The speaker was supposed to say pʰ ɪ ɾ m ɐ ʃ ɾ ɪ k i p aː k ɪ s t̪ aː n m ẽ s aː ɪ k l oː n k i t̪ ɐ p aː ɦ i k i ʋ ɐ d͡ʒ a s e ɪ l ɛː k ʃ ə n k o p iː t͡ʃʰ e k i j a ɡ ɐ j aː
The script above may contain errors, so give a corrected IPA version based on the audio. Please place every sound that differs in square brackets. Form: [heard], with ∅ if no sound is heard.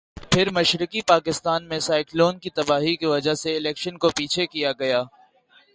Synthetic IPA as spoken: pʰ ɪ ɾ m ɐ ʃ ɾ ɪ k i p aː k ɪ s t̪ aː n m ẽ s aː ɪ k l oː n k i t̪ ɐ [b] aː ɦ i k i ʋ ɐ d͡ʒ a s e ɪ l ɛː k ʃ ə n k o p iː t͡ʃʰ e k i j a ɡ ɐ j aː